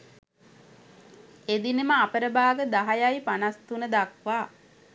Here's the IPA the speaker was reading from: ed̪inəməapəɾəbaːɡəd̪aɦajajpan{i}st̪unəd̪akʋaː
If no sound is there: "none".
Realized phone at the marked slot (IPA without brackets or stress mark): a